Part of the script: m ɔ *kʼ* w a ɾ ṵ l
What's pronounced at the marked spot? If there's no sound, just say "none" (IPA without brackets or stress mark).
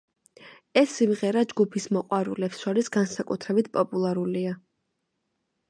qʼ